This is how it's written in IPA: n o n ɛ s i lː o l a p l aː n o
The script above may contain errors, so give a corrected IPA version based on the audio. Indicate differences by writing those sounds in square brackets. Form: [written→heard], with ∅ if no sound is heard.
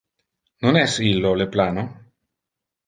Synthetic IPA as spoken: n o n ɛ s i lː o l [a→e] p l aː n o